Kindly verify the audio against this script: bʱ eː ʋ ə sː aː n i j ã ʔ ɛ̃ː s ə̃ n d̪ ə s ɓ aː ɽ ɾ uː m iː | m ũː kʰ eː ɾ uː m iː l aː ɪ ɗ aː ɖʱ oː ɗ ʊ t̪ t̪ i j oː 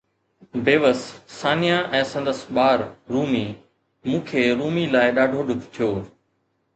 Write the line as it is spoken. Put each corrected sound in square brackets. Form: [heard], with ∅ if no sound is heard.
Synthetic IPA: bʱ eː ʋ ə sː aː n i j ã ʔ ɛ̃ː s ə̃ n d̪ ə s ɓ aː [ɾ] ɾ uː m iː | m ũː kʰ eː ɾ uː m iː l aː ɪ ɗ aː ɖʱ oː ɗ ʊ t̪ [t̪ʰ] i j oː

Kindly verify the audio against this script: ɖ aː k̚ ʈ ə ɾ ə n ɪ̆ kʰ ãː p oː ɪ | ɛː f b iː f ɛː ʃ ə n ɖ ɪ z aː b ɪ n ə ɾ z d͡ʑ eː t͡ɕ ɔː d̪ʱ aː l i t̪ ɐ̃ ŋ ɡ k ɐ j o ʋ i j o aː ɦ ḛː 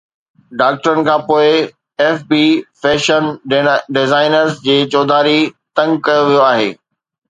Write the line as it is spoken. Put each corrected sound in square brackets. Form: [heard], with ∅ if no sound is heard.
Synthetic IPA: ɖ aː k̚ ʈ ə ɾ ə n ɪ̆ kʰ ãː p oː ɪ | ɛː f b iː f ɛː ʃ ə n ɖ ɪ z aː [∅] ɪ n ə ɾ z d͡ʑ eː t͡ɕ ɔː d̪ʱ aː [ɾ] i t̪ ɐ̃ ŋ ɡ k ɐ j o ʋ i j o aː ɦ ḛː

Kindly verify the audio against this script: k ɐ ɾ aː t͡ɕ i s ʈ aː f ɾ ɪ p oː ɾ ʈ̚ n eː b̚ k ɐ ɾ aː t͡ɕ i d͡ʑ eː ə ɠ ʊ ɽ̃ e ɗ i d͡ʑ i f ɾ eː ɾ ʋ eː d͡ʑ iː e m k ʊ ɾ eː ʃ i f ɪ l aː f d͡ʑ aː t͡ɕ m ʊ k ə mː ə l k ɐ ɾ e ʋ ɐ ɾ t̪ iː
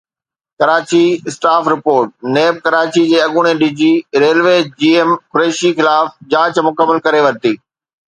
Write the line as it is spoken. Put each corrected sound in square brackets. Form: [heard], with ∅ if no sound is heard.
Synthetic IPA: k ɐ ɾ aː t͡ɕ i s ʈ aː f ɾ ɪ p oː ɾ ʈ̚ n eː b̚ k ɐ ɾ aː t͡ɕ i d͡ʑ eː [ɐ] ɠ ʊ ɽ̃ e ɗ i d͡ʑ i [∅] ɾ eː [l] ʋ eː d͡ʑ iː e m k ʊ ɾ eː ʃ i [x] ɪ l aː f d͡ʑ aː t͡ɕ m ʊ k ə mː ə l k ɐ ɾ e ʋ ɐ ɾ t̪ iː

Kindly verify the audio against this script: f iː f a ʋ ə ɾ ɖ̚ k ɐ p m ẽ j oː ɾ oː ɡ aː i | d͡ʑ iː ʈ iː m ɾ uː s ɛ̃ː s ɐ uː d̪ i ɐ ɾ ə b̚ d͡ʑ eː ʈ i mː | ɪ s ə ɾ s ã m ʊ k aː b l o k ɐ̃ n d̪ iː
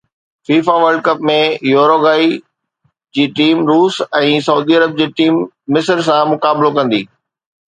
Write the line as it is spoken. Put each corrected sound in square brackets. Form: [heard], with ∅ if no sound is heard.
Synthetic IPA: f iː f a ʋ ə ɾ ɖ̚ k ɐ p m ẽ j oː ɾ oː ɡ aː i | d͡ʑ iː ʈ iː m ɾ uː s ɛ̃ː s ɐ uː d̪ i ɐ ɾ ə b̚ d͡ʑ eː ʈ [iː] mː | ɪ s ə ɾ s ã m ʊ k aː b l o k ɐ̃ n d̪ iː

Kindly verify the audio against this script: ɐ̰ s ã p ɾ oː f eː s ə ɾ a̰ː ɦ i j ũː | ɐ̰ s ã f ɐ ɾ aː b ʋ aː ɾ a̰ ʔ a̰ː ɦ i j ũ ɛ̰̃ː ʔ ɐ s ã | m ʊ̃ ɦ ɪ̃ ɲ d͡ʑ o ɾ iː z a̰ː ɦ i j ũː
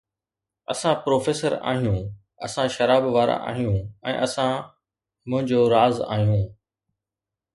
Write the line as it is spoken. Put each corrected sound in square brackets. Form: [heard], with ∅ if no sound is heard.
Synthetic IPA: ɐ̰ s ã p ɾ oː f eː s ə ɾ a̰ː ɦ i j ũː | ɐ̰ s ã [ʃ] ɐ ɾ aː b ʋ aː ɾ a̰ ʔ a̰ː ɦ i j ũ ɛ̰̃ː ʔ ɐ s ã | m ʊ̃ ɦ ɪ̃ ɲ d͡ʑ o ɾ [aː] z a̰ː ɦ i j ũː

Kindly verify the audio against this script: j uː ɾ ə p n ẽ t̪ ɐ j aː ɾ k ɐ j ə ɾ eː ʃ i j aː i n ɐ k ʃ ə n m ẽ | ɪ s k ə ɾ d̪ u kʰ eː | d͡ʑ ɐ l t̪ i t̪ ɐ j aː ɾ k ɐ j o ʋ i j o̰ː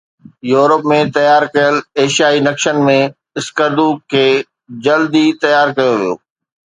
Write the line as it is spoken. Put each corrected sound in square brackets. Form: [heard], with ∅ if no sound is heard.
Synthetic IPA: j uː ɾ ə p [m] ẽ t̪ ɐ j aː ɾ k ɐ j ə [l] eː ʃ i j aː i n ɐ k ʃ ə n m ẽ | ɪ s k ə ɾ d̪ u kʰ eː | d͡ʑ ɐ l [d̪] i t̪ ɐ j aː ɾ k ɐ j o ʋ i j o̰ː

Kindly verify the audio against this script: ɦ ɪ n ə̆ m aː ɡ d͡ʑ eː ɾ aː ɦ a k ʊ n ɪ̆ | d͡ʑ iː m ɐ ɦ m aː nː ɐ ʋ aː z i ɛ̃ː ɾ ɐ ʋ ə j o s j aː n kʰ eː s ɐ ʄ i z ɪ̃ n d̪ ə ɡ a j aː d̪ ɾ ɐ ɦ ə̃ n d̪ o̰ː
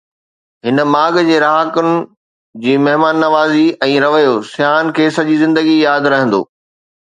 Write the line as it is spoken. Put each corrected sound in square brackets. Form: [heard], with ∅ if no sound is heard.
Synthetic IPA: ɦ ɪ n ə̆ m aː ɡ d͡ʑ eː ɾ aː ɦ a k ʊ n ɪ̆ | d͡ʑ iː m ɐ ɦ m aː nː ɐ ʋ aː z i ɛ̃ː ɾ ɐ ʋ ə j o s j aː n kʰ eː s ɐ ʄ i z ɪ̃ n d̪ ə ɡ [i] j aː d̪ ɾ ɐ ɦ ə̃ n d̪ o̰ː

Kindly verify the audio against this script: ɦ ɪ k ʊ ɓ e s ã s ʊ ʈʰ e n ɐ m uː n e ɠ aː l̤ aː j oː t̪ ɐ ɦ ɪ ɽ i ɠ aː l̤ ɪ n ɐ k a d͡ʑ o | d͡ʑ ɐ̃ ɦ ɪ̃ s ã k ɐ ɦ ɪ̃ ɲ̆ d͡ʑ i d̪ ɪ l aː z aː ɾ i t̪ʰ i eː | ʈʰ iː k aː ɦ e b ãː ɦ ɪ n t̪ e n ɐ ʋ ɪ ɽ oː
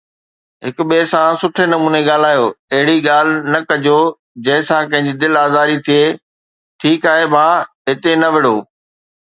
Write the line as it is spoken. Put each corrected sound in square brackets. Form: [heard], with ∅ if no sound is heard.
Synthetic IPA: ɦ ɪ k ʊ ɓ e s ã s ʊ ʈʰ e n ɐ m uː n e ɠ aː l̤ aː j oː [∅] ɐ ɦ ɪ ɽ i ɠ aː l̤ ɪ n ɐ k [ɐ] d͡ʑ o | d͡ʑ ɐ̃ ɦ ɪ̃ s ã k [ɐ̃] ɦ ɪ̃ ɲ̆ d͡ʑ i d̪ ɪ l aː z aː ɾ i t̪ʰ i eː | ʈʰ iː k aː ɦ e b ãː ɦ ɪ [∅] t̪ e n ɐ ʋ ɪ ɽ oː

